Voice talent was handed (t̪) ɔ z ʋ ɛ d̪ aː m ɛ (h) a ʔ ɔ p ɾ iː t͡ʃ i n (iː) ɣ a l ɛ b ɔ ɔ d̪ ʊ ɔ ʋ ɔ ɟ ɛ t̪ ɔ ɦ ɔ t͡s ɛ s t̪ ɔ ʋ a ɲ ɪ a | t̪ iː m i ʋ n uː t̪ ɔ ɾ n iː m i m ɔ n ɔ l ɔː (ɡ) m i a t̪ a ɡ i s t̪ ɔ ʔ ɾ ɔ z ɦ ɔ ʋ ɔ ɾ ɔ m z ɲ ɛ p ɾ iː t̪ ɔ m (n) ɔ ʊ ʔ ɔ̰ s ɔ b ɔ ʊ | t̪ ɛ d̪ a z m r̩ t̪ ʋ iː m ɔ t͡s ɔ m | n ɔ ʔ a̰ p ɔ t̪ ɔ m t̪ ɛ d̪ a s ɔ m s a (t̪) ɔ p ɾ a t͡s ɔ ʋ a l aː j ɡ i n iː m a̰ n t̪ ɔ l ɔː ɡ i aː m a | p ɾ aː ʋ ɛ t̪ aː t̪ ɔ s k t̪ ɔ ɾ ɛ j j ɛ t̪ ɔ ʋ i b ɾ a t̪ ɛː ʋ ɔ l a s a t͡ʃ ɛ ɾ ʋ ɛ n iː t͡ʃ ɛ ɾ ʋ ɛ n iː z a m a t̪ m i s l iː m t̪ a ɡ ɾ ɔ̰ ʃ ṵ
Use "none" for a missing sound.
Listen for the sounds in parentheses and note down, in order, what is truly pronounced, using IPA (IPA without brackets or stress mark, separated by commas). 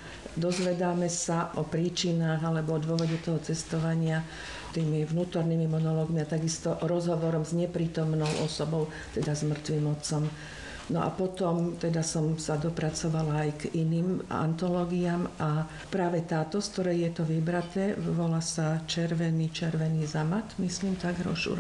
d̪, s, aː, ɡ, n, d̪